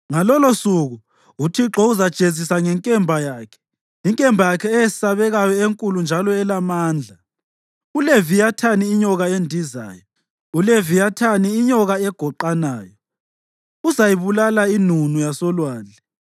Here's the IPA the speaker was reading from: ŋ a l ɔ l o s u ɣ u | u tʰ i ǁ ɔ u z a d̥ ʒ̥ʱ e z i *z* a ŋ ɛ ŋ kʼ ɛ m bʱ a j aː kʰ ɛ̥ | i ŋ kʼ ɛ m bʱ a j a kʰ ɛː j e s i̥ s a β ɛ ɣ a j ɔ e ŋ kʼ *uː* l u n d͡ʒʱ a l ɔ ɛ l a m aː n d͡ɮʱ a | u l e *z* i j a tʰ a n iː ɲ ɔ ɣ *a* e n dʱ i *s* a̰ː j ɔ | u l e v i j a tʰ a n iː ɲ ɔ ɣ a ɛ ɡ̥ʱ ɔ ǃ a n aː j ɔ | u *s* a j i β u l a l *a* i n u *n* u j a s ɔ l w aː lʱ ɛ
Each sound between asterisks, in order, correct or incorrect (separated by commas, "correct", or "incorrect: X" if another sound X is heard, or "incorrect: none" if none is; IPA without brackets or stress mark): incorrect: s, incorrect: u, incorrect: v, correct, incorrect: z, incorrect: z, correct, correct